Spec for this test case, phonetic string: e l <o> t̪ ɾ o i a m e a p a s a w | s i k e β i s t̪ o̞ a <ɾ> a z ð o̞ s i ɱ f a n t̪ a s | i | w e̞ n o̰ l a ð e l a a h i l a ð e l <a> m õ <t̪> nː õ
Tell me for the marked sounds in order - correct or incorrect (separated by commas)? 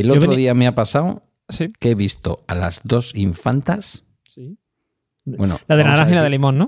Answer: correct, incorrect, incorrect, incorrect